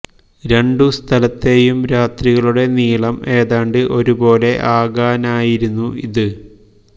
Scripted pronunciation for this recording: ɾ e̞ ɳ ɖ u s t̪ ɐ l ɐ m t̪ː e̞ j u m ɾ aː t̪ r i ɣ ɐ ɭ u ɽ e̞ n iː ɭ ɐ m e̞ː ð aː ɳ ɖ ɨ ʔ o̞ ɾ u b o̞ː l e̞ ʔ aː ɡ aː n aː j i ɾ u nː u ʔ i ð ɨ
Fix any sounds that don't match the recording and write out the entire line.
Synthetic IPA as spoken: ɾ e̞ ɳ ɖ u s t̪ʰ ɐ l ɐ t̪ː e̞ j u m ɾ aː t̪ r i ɣ ɐ ɭ u ɽ e̞ n iː ɭ ɐ m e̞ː ð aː ɳ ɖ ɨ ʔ o̞ ɾ u b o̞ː l e̞ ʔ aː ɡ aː n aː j i ɾ u nː u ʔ i ð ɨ

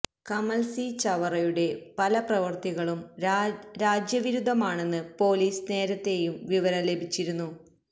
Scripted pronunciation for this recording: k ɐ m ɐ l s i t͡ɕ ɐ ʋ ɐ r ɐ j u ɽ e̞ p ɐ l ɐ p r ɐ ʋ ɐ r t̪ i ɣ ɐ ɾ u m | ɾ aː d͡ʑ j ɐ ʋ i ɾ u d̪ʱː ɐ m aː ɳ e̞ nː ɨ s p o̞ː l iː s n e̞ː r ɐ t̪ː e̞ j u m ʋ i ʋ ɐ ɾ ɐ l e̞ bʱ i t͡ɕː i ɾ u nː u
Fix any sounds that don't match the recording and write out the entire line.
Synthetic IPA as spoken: k ɐ m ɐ l s i t͡ɕ ɐ ʋ ɐ r ɐ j u ɽ e̞ p ɐ l ɐ p r ɐ ʋ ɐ r t̪ i ɣ ɐ ɭ u m | ɾ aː d͡ʑ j ɐ ʋ i ɾ u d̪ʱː ɐ m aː ɳ e̞ nː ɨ p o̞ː l iː s n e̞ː ɾ ɐ t̪ː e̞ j u m ʋ i ʋ ɐ ɾ ɐ l e̞ bʱ i t͡ɕː i ɾ u nː u

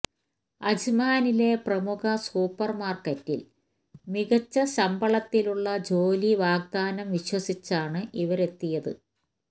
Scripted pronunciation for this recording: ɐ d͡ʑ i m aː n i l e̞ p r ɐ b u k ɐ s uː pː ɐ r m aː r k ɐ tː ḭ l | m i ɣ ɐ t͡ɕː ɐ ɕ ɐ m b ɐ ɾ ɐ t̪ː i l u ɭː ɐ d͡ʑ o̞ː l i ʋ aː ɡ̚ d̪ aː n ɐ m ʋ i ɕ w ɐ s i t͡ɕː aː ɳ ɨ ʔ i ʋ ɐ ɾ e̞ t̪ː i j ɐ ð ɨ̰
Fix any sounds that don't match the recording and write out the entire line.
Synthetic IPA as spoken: ɐ d͡ʑ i m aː n i l e̞ p r ɐ m u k ɐ s uː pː ɐ r m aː r k ɐ tː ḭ l | m i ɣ ɐ t͡ɕː ɐ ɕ ɐ m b ɐ ɭ ɐ t̪ː i l u ɭː ɐ d͡ʑ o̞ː l i ʋ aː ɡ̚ d̪ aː n ɐ m ʋ i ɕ w ɐ s i t͡ɕː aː ɳ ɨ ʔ i ʋ ɐ ɾ e̞ t̪ː i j ɐ ð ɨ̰

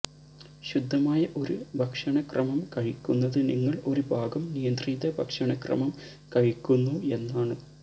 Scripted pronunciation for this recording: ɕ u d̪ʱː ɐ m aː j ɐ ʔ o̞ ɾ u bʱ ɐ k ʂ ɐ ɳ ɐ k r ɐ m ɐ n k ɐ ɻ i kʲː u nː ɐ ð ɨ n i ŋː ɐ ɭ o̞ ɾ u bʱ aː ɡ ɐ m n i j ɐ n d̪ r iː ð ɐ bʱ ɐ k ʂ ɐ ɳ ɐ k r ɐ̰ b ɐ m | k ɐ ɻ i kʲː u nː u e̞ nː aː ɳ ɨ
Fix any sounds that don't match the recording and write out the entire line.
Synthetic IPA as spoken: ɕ u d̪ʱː ɐ m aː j ɐ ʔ o̞ ɾ u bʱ ɐ k ʂ ɐ ɳ ɐ k r ɐ m ɐ m k ɐ ɻ i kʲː u nː ɐ ð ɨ n i ŋː ɐ ɭ o̞ ɾ u bʱ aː ɡ ɐ m n i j ɐ n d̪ r iː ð ɐ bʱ ɐ k ʂ ɐ ɳ ɐ k r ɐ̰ m ɐ m | k ɐ ɻ i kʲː u nː u e̞ nː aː ɳ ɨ

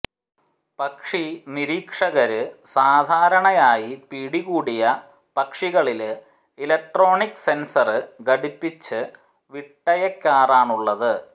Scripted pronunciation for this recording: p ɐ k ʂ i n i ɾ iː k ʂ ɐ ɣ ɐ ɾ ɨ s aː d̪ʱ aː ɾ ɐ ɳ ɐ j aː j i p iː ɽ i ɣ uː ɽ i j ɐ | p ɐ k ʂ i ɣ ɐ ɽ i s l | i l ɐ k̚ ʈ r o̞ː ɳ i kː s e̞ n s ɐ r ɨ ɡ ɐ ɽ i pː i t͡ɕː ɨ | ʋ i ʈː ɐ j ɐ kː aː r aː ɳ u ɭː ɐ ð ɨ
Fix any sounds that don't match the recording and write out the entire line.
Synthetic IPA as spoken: p ɐ k ʂ i n i ɾ iː k ʂ ɐ ɣ ɐ ɾ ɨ s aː d̪ʱ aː ɾ ɐ ɳ ɐ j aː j i p iː ɽ i ɣ uː ɽ i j ɐ | p ɐ k ʂ i ɣ ɐ ɭ i l | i l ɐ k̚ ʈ r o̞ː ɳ i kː s e̞ n s ɐ r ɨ ɡ ɐ ɽ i pː i t͡ɕː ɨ | ʋ i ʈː ɐ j ɐ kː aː r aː ɳ u ɭː ɐ ð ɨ

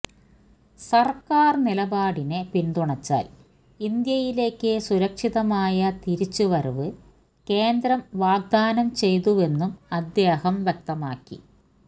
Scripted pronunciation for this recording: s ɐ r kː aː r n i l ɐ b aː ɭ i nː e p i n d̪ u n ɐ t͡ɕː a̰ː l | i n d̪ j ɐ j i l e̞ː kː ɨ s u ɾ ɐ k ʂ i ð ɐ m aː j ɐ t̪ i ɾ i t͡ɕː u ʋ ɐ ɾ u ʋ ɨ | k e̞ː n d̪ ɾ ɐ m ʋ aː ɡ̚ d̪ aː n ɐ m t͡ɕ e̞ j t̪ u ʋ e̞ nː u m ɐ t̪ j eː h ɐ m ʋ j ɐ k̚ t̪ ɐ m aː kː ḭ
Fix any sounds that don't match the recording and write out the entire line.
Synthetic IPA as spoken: s ɐ r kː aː r n i l ɐ b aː ɽ i n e p i n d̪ u ɳ ɐ t͡ɕː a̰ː l | i n d̪ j ɐ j i l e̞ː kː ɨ s u ɾ ɐ k ʂ i ð ɐ m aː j ɐ t̪ i ɾ i t͡ɕː u ʋ ɐ ɾ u ʋ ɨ | k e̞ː n d̪ ɾ ɐ m ʋ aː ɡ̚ d̪ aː n ɐ m t͡ɕ e̞ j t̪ u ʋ e̞ nː u m ɐ d̪ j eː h ɐ m ʋ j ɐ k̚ t̪ ɐ m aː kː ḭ

